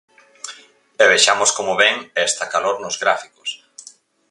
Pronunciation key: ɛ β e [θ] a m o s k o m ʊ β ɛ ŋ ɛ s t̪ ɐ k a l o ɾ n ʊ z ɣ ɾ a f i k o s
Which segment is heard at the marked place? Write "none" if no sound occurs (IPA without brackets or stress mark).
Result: ʃ